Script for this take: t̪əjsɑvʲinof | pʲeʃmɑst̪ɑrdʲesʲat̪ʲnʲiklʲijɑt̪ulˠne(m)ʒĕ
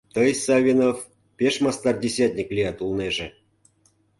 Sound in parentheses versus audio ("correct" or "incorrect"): incorrect